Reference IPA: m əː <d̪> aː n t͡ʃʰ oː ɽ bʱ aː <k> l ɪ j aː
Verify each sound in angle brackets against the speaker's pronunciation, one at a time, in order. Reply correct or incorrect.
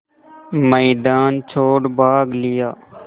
correct, incorrect: ɡ

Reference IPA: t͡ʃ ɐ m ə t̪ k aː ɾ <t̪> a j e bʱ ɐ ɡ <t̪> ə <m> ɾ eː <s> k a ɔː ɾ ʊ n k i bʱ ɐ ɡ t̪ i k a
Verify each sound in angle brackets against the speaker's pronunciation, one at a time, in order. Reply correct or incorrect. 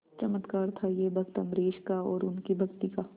incorrect: t̪ʰ, correct, correct, incorrect: ʃ

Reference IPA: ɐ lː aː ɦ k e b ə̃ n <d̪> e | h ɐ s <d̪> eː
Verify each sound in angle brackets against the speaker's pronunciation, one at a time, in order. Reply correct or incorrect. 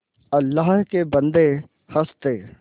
correct, incorrect: t̪

